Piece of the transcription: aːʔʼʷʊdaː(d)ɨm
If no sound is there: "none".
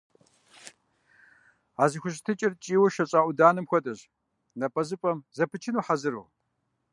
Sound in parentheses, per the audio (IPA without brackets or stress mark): n